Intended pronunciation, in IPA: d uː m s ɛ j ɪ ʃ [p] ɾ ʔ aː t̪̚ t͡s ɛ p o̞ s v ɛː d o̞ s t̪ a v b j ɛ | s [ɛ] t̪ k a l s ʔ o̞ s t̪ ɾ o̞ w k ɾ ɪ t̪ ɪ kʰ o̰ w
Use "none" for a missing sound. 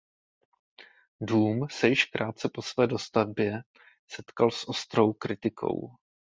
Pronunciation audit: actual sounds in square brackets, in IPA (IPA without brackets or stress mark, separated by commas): k, ɛ